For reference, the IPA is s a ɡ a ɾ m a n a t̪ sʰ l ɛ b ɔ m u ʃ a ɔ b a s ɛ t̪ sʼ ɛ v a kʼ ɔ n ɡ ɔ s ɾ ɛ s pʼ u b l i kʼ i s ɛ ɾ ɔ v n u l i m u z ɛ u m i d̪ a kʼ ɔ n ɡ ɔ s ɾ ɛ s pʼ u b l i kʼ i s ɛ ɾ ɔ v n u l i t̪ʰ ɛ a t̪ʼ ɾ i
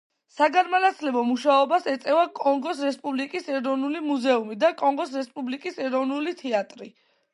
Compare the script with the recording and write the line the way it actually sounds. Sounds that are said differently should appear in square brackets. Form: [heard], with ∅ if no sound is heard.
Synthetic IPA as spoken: s a ɡ a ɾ m a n a t̪ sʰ l ɛ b ɔ m u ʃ a ɔ b a s ɛ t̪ sʼ ɛ v a kʼ ɔ [ŋ] ɡ ɔ s ɾ ɛ s pʼ u b l i kʼ i s ɛ ɾ ɔ v n u l i m u z ɛ u m i d̪ a kʼ ɔ [ŋ] ɡ ɔ s ɾ ɛ s pʼ u b l i kʼ i s ɛ ɾ ɔ v n u l i t̪ʰ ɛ a t̪ʼ ɾ i